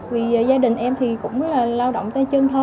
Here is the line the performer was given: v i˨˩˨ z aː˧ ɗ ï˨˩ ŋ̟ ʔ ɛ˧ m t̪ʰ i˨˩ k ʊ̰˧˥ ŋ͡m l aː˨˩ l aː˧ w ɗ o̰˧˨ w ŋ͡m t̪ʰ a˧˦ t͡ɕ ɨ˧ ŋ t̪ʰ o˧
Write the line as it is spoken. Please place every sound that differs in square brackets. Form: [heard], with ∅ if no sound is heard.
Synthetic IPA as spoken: v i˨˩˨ z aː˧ ɗ ï˨˩ ŋ̟ ʔ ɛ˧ m t̪ʰ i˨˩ k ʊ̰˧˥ ŋ͡m l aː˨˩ l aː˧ w ɗ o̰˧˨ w ŋ͡m [t̪] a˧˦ t͡ɕ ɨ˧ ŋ t̪ʰ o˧